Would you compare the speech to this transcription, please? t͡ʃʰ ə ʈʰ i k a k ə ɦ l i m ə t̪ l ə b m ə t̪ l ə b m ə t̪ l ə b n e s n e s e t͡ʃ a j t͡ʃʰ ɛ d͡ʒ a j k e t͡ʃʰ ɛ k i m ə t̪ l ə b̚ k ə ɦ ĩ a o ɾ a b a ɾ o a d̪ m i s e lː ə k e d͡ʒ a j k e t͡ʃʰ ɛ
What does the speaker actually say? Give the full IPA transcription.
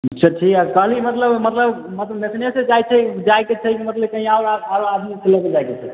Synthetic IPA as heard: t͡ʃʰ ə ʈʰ i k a k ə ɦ l i m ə t̪ l ə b m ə t̪ l ə b m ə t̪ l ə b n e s n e s e t͡ʃ a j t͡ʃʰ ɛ d͡ʒ a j k e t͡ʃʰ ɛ k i m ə t̪ l ə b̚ k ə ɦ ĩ a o ɾ a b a ɾ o a d̪ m i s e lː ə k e d͡ʒ a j k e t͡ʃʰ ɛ